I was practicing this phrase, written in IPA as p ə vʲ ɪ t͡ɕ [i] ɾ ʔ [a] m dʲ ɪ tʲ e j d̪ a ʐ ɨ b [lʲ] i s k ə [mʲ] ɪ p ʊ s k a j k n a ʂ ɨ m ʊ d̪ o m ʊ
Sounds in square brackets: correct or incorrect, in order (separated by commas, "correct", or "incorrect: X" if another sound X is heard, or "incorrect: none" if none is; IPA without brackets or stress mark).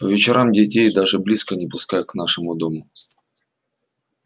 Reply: incorrect: ɪ, correct, correct, incorrect: nʲ